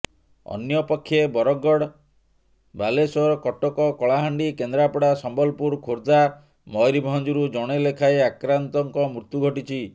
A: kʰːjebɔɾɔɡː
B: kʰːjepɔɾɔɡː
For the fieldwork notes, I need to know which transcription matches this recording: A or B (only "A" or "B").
A